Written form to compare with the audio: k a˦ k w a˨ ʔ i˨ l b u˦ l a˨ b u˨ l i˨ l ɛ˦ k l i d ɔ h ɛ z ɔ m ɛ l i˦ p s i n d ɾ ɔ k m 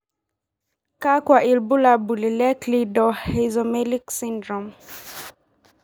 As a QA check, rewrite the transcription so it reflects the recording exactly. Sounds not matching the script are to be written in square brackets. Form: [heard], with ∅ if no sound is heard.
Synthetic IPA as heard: k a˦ k w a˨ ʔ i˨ l b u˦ l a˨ b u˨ l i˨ l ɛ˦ k l i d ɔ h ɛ z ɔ m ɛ l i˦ [k] s i n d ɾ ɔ [∅] m